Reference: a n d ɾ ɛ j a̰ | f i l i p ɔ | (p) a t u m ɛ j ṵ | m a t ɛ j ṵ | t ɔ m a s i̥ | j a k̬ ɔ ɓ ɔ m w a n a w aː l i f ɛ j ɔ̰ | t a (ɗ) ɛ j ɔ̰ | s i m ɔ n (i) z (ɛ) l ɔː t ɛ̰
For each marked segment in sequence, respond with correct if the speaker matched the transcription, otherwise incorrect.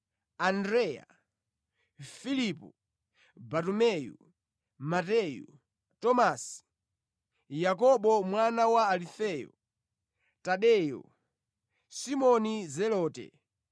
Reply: incorrect: b, correct, correct, correct

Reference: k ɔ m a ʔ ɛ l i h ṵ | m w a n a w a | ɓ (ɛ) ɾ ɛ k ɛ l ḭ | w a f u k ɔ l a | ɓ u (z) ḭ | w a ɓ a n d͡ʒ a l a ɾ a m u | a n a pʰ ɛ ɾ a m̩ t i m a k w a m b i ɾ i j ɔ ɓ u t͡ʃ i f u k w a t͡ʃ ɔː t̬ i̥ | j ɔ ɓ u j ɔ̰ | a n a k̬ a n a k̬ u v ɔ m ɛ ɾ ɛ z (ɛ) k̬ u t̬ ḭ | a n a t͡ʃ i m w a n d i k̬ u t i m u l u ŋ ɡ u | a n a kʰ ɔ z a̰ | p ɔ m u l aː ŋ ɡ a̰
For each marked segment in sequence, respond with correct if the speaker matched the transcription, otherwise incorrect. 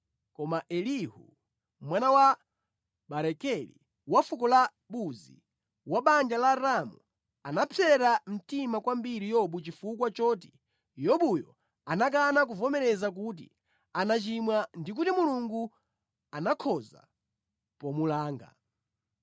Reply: incorrect: a, correct, incorrect: a

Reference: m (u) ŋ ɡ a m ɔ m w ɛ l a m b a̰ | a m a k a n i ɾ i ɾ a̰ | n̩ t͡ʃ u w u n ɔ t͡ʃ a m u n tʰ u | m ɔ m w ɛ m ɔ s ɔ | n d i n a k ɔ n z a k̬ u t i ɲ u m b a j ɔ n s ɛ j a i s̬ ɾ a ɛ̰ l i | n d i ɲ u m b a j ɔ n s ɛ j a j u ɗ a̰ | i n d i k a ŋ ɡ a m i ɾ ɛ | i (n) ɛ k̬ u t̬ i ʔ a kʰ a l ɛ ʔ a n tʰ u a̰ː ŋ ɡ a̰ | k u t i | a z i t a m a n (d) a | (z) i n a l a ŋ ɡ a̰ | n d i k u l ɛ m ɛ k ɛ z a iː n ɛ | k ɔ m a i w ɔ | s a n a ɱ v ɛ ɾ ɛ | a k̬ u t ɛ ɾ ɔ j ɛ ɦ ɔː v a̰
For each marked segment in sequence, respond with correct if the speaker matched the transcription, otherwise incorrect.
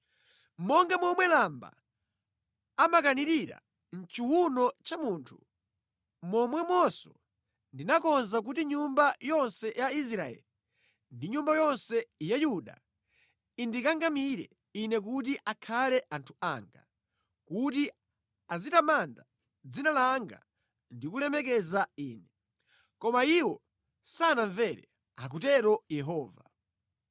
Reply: incorrect: ɔ, correct, correct, incorrect: d͡z

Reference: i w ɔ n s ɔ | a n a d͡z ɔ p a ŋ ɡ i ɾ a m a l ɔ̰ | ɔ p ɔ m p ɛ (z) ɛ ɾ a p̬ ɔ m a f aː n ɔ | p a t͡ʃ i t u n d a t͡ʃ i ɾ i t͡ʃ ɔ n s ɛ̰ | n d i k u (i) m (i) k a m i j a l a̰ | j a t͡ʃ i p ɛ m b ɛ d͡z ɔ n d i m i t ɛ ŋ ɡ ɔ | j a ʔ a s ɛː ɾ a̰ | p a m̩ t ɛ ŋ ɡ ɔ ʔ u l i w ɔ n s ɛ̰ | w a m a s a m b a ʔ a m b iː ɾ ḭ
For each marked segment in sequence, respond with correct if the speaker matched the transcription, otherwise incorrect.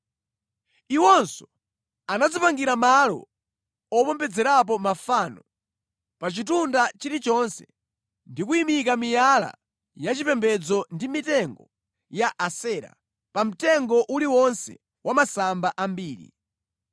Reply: incorrect: d͡z, correct, correct

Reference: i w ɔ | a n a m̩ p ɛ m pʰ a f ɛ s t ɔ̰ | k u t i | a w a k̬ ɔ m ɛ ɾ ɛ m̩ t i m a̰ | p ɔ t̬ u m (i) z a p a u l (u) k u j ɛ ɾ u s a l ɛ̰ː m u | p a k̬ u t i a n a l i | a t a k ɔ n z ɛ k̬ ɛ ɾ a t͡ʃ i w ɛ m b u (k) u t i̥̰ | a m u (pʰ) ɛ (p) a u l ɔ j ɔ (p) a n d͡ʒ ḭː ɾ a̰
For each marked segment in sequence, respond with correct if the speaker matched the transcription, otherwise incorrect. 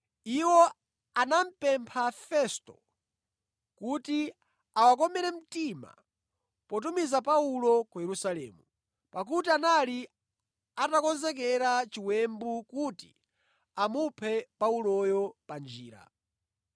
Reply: correct, incorrect: ɔ, correct, correct, correct, correct

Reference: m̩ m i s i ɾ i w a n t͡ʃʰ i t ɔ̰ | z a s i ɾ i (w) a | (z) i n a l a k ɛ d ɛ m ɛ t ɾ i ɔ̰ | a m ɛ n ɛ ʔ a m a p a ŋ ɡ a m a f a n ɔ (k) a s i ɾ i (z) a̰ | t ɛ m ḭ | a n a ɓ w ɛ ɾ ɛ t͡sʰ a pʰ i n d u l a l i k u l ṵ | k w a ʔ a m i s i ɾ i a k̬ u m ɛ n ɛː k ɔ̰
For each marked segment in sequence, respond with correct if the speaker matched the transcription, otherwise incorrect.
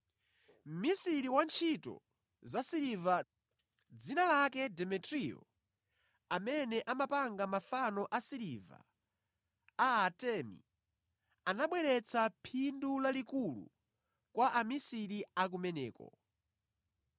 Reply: incorrect: v, incorrect: d͡z, incorrect: ʔ, incorrect: v

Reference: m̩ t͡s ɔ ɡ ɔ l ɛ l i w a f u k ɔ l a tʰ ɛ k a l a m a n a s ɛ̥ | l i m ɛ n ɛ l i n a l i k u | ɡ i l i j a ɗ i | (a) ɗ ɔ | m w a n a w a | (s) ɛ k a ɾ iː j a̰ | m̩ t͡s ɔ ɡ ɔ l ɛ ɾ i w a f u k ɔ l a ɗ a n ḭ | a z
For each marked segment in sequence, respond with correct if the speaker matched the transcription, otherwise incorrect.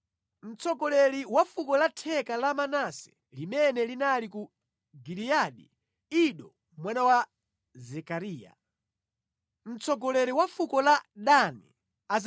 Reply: incorrect: i, incorrect: z

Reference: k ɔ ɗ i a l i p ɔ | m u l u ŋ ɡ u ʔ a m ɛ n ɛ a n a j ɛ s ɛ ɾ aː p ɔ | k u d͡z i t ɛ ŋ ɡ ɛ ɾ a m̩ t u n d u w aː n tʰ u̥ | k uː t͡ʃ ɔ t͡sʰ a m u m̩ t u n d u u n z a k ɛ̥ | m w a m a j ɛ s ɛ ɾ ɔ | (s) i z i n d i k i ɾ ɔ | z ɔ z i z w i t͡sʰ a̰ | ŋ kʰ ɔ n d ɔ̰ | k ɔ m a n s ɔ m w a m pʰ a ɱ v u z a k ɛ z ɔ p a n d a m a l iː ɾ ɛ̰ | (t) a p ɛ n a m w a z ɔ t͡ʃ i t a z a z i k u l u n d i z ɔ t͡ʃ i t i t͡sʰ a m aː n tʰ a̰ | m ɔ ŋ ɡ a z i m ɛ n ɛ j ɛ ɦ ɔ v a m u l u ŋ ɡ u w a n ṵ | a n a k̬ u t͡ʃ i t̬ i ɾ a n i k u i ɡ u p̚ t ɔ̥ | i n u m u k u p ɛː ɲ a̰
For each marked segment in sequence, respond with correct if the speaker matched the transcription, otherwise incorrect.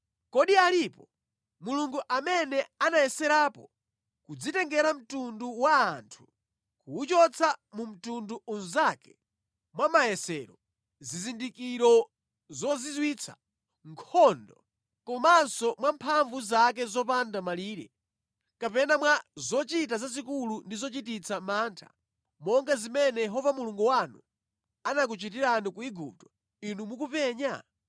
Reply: incorrect: z, incorrect: k

